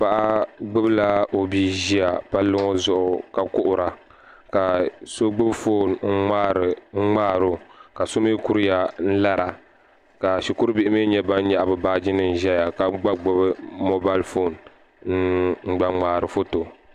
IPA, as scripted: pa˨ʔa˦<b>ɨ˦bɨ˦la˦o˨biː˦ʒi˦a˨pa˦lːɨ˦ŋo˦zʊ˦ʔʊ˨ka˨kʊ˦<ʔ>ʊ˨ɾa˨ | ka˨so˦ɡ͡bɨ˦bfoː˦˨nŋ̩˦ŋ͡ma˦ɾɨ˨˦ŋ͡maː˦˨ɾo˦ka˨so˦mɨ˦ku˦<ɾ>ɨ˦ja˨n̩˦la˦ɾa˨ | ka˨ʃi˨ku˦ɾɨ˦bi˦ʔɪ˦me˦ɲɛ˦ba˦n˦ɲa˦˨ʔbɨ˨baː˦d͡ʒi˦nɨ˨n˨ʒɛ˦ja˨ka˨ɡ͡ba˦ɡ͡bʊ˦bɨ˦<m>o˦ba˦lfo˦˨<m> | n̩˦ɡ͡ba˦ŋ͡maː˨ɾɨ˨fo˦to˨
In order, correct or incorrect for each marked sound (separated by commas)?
incorrect, correct, correct, correct, incorrect